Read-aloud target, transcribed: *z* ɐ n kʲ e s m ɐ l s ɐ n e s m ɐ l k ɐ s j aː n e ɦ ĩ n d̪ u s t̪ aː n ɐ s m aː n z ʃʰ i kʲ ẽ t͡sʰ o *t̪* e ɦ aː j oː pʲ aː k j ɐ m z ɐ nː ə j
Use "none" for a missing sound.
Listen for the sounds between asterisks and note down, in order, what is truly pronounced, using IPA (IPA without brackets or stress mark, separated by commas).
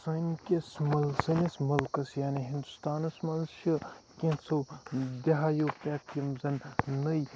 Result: s, d̪